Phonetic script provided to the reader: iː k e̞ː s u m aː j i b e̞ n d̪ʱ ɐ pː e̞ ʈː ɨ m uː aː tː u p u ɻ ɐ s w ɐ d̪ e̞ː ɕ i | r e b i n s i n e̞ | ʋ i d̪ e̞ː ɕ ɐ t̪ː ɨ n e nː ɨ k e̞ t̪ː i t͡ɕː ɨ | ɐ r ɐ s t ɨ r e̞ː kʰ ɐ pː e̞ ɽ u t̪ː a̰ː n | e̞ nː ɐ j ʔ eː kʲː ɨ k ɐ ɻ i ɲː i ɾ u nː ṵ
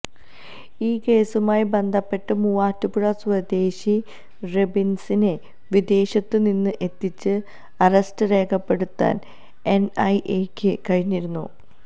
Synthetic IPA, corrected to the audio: iː k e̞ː s u m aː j i b e̞ n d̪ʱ ɐ pː e̞ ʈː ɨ m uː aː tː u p u ɻ ɐ s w ɐ d̪ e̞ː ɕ i | r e b i n s i n e̞ | ʋ i d̪ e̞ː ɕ ɐ t̪ː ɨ n i nː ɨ ʔ e̞ t̪ː i t͡ɕː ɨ | ɐ r ɐ s t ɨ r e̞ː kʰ ɐ pː e̞ ɽ u t̪ː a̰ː n | e̞ n ɐ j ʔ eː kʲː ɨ k ɐ ɻ i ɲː i ɾ u nː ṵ